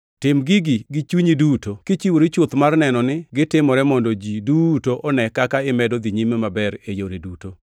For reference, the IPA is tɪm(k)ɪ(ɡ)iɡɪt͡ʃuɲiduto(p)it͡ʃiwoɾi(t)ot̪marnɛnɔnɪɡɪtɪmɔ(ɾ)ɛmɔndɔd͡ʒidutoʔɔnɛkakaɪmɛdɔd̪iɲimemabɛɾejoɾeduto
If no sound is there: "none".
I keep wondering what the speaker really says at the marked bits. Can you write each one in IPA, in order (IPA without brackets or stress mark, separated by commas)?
ɡ, ɡ, k, t͡ʃ, ɾ